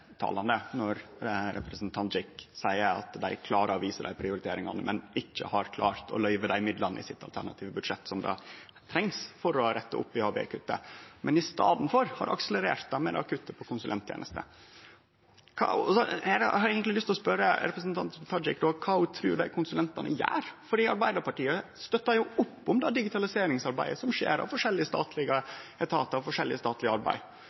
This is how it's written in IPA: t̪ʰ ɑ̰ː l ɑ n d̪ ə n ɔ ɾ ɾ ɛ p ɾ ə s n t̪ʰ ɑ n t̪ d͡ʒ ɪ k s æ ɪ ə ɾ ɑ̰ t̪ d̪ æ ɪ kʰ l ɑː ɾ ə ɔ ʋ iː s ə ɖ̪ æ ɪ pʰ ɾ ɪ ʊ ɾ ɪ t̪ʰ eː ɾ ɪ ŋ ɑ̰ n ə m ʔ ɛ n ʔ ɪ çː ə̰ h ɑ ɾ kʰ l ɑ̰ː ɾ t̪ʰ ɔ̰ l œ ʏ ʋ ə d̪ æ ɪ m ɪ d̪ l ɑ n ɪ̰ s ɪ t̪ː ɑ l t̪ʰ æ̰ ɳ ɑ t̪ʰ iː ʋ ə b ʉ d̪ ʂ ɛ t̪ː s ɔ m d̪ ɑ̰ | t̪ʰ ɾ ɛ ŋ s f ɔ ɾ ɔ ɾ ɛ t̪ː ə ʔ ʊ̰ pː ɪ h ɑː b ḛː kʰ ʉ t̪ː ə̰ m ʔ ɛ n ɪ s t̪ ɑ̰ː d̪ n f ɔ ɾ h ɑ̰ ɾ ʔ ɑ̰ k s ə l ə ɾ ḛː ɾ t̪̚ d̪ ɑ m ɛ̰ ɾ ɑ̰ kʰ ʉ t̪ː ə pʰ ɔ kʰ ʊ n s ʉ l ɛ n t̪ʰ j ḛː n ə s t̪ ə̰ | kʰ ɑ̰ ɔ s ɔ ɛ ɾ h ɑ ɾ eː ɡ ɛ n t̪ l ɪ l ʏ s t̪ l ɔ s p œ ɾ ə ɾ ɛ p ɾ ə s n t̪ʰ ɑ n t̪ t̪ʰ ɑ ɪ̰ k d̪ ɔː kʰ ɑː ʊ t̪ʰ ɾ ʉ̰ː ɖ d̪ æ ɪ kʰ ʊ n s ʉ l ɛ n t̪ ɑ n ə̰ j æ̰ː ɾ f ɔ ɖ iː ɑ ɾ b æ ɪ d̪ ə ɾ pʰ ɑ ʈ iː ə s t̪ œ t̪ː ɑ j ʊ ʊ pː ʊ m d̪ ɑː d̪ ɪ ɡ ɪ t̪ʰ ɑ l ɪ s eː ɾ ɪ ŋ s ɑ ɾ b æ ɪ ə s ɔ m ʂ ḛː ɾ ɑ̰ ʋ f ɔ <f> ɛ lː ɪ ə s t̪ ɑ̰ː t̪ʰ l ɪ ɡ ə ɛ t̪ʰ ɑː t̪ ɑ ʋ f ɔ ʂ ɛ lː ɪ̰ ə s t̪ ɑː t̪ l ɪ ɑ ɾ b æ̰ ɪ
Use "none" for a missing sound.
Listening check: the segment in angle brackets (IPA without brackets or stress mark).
ʂ